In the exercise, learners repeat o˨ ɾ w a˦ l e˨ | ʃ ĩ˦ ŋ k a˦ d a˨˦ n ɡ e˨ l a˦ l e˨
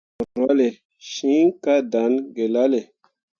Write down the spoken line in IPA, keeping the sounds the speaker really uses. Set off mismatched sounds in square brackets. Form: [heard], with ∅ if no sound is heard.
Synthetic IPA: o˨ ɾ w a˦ l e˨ | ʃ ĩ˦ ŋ k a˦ d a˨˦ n ɡ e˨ l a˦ l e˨